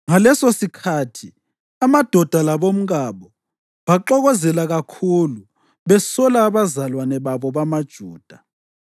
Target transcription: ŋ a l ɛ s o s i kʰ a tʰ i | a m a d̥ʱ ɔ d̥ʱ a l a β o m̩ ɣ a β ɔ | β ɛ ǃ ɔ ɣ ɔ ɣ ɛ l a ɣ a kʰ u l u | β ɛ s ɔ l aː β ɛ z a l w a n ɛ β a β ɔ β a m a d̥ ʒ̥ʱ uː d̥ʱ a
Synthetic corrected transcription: ŋ a l ɛ s o s i kʰ a tʰ i | a m a d̥ʱ ɔ d̥ʱ a l a β o m̩ ɣ a β ɔ | β a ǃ ɔ ɣ ɔ z ɛ l a ɣ a kʰ u l u | β ɛ s ɔ l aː β a z a l w a n ɛ β a β ɔ β a m a d̥ ʒ̥ʱ uː d̥ʱ a